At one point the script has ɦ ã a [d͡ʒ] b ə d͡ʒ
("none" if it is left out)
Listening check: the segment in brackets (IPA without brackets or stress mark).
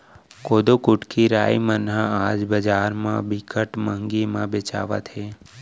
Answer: d͡ʒ